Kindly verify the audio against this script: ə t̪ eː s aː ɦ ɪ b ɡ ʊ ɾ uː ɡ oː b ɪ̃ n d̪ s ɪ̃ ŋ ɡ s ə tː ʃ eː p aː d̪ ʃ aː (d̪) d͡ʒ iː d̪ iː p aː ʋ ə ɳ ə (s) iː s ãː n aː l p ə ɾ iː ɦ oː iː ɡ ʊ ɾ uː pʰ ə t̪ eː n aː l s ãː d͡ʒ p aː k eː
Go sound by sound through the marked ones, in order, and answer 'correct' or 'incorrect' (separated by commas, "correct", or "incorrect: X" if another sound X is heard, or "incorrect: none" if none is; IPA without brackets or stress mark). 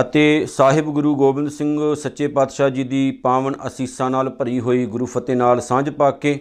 incorrect: none, correct